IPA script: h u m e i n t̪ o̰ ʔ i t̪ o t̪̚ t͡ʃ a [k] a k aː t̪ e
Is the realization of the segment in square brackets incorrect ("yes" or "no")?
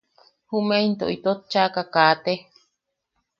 no